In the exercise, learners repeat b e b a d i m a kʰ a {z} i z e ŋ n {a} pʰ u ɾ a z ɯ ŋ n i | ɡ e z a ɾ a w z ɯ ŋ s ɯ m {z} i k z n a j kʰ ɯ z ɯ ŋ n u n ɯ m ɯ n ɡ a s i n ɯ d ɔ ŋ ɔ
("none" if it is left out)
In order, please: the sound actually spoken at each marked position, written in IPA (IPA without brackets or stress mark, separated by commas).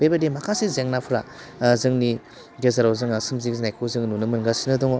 s, a, z